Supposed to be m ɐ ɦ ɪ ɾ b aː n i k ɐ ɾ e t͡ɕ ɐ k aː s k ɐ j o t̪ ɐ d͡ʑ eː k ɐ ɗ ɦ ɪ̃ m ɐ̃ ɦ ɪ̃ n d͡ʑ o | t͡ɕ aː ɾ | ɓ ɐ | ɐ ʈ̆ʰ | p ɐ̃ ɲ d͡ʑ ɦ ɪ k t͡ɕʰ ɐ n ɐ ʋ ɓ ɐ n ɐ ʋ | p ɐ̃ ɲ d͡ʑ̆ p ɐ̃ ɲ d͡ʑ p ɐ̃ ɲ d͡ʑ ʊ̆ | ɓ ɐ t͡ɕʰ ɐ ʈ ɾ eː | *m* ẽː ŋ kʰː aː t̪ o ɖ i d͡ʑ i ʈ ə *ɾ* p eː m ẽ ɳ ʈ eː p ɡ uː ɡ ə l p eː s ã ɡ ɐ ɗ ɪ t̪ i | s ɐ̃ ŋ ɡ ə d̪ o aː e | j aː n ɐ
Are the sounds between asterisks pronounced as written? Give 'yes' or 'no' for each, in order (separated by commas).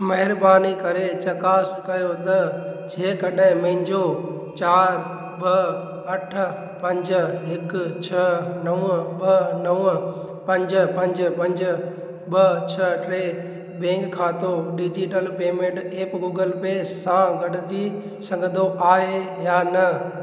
no, no